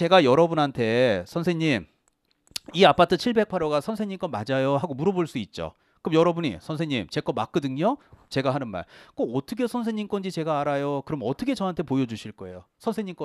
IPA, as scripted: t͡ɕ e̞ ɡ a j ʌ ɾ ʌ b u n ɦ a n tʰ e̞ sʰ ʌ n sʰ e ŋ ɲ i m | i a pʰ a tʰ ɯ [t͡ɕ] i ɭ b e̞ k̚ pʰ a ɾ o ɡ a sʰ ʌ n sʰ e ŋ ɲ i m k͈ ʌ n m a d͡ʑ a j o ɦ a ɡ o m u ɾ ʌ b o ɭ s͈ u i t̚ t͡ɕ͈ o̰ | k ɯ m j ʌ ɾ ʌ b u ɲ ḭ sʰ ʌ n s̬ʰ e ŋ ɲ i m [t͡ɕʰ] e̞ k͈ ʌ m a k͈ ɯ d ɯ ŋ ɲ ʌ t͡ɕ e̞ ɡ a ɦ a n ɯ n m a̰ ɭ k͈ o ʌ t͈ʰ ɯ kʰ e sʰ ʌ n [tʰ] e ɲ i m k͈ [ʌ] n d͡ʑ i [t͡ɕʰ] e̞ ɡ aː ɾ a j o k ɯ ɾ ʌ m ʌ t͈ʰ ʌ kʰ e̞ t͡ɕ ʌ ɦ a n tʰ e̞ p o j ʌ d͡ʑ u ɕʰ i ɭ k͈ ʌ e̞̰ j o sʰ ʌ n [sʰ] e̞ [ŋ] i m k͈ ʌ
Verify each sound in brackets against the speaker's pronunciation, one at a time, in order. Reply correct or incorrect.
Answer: incorrect: t͡ɕʰ, incorrect: t͡ɕ, incorrect: sʰ, correct, incorrect: t͡ɕ, correct, incorrect: ɲ

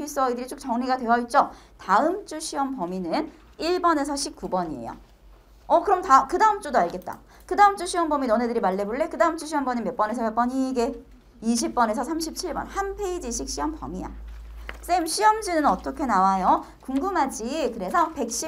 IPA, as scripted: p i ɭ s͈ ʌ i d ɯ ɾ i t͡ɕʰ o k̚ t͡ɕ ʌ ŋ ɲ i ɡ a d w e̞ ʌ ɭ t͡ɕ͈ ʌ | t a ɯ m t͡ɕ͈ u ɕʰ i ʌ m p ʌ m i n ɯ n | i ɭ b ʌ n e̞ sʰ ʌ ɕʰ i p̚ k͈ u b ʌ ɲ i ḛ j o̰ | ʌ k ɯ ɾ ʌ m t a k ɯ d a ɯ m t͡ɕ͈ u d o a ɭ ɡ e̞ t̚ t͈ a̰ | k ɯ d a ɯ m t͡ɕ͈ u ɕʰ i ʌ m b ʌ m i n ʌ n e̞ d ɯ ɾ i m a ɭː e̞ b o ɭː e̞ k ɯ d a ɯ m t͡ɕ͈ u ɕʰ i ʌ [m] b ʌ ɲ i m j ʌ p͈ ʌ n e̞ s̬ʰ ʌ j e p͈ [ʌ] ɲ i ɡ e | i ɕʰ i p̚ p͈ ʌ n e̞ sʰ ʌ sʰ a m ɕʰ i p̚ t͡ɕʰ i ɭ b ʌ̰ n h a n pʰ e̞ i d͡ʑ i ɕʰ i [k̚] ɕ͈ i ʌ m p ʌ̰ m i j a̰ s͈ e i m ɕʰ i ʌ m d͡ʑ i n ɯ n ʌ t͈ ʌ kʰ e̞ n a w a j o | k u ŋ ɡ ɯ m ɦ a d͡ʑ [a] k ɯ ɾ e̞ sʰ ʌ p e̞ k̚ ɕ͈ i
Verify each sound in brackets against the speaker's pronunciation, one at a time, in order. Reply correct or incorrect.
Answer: correct, correct, correct, incorrect: i

